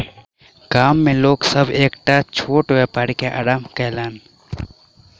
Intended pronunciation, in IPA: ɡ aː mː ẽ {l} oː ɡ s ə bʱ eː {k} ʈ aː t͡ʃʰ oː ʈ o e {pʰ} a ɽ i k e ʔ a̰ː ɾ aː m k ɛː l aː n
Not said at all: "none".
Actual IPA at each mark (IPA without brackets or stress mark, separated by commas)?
l, k, p